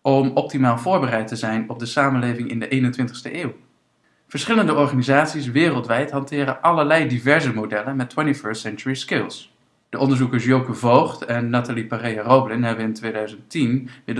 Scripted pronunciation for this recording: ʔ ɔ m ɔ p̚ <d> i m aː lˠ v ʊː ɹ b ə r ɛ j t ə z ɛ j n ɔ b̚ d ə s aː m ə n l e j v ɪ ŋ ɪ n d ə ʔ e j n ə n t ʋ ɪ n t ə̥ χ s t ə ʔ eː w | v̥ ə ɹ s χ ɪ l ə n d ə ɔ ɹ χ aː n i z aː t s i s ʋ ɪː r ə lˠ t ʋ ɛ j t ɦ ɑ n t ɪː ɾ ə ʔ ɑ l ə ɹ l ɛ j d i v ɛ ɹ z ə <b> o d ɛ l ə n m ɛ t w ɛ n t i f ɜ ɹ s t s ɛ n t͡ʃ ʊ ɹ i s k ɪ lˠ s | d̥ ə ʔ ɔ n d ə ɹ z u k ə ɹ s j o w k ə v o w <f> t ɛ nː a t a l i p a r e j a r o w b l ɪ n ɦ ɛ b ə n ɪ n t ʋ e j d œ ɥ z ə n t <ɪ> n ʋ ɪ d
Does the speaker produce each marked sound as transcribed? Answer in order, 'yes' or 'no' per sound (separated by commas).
no, no, no, no